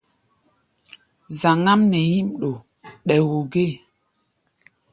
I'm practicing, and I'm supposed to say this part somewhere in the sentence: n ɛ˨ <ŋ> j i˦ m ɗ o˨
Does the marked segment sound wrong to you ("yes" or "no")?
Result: yes